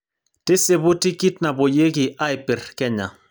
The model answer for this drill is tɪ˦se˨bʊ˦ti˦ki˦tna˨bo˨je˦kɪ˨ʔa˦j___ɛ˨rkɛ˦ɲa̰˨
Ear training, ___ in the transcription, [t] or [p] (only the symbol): p